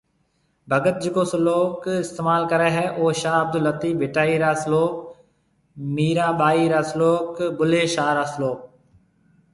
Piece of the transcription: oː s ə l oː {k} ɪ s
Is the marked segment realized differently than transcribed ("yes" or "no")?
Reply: no